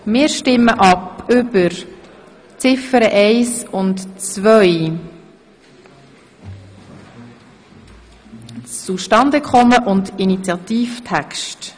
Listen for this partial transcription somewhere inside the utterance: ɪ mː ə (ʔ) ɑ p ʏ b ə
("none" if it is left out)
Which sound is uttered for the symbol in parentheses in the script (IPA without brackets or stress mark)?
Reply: ʔ